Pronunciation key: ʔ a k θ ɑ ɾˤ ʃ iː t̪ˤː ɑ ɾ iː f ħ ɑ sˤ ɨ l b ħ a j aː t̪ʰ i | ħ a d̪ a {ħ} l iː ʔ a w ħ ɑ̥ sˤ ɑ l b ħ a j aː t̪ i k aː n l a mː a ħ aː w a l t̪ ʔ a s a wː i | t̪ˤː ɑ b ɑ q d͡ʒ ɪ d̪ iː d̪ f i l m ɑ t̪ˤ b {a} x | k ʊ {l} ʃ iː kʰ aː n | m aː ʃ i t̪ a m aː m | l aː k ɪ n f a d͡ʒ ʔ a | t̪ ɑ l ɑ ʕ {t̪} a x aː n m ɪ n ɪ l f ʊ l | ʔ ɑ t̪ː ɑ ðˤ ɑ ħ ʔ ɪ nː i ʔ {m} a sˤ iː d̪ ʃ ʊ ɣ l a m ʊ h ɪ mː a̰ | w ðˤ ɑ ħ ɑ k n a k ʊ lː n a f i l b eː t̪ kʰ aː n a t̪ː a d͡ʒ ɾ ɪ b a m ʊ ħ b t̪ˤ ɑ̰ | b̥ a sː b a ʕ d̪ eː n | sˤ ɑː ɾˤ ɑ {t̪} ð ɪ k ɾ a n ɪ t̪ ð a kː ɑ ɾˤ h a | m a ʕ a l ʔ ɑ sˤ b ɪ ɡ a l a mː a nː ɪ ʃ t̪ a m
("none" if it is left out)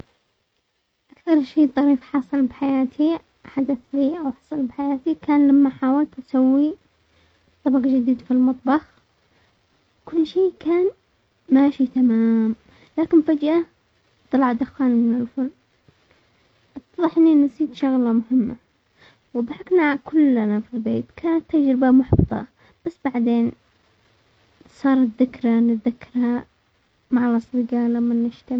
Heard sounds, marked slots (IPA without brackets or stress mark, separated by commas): θ, ɑ, lː, d̪, n, t̪